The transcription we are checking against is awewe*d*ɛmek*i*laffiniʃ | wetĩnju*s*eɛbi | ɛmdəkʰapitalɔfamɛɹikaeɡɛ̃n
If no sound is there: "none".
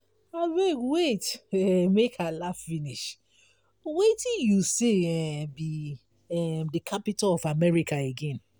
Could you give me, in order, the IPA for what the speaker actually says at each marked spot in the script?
t, a, s

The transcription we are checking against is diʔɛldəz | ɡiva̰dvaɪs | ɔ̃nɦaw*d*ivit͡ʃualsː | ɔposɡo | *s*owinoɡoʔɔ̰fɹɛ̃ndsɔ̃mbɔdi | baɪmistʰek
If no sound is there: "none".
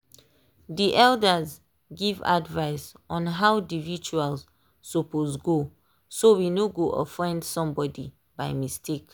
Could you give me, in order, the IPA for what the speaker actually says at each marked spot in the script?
d, s

